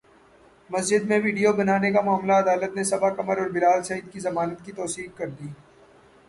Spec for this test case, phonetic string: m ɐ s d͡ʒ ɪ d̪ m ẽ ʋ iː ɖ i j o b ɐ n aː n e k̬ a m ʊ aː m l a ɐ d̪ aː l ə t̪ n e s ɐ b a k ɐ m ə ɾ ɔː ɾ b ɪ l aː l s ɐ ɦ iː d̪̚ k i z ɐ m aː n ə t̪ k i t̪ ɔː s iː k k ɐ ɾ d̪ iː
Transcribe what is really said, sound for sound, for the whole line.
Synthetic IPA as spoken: m ɐ s d͡ʒ ɪ d̪ m ẽ ʋ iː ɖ i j o b ɐ n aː n e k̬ a m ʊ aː m l a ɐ d̪ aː l ə t̪ n e s ɐ b a k ɐ m ə ɾ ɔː ɾ b ɪ l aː l s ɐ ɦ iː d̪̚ k i z ɐ m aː n ə t̪ k i t̪ ɔː s iː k k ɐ ɾ d̪ iː